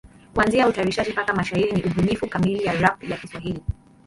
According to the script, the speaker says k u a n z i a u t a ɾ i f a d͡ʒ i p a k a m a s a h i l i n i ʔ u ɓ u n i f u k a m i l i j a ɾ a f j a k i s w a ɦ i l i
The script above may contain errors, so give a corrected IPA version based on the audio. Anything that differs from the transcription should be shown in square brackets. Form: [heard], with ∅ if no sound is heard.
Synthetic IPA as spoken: k u a n z i a u t a ɾ i [ʃ] a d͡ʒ i p a k a m a [ʃ] a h i [ɾ] i n i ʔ u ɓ u n i f u k a m i l i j a ɾ a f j a k i s w a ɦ i l i